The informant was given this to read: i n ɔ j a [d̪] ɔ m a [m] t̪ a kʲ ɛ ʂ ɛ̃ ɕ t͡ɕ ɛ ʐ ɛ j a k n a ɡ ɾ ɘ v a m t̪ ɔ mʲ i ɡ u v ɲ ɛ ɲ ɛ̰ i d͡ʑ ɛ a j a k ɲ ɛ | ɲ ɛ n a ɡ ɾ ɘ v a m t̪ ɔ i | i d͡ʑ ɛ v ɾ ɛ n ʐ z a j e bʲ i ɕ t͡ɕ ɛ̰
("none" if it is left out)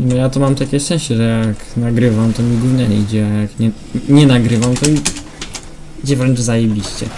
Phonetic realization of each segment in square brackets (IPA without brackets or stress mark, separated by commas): t̪, m